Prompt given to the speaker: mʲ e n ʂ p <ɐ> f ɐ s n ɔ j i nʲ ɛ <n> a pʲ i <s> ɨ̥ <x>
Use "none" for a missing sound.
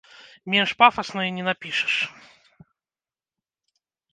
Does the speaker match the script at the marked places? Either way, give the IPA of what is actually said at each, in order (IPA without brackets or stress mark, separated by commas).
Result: a, n, ʂ, ʂ